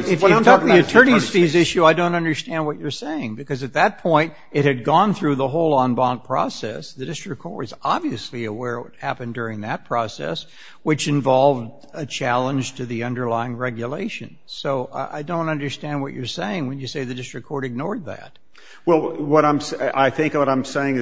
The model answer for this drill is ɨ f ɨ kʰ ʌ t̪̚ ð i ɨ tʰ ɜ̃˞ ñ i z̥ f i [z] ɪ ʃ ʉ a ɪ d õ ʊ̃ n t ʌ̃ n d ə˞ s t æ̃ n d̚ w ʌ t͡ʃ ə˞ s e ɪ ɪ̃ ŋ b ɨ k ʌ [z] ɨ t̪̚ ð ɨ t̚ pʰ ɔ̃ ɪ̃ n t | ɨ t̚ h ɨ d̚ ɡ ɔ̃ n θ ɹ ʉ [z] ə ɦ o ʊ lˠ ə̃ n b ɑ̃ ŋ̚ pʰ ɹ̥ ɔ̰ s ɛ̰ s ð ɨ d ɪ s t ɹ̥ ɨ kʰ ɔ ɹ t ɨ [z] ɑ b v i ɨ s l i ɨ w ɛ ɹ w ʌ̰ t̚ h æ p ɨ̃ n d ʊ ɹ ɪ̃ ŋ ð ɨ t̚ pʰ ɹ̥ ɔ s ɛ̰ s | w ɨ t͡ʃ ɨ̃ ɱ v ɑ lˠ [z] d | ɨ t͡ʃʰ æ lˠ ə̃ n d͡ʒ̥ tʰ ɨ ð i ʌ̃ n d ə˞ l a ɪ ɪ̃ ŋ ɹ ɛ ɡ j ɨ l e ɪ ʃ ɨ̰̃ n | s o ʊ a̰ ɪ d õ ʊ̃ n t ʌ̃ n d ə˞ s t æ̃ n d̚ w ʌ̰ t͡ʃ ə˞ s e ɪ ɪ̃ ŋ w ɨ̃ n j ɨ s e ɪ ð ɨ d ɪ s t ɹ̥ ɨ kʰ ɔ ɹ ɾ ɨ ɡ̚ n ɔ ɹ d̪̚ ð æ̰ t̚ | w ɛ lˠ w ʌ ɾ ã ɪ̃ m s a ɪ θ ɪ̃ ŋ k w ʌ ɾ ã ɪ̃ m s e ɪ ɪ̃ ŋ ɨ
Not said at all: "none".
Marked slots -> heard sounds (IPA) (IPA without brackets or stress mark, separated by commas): z, z, ð, z, v